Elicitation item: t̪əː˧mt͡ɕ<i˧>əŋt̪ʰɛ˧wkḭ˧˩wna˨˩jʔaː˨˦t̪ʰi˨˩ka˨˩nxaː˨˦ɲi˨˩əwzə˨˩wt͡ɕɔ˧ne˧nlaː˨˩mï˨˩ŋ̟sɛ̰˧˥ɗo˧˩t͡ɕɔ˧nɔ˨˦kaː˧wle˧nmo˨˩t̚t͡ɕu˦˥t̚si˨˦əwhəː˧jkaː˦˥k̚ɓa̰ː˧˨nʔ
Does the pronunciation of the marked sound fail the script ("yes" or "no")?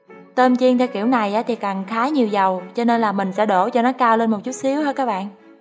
no